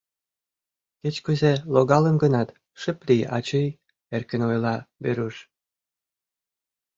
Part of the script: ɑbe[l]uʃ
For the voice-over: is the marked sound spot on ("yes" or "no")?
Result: no